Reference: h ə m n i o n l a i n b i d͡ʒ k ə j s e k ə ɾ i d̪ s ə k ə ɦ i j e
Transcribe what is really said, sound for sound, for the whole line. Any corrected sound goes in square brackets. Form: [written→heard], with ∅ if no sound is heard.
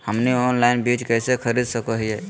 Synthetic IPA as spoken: h ə m n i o n l a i n b i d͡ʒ k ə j s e [k→kʰ] ə ɾ i d̪ s ə k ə ɦ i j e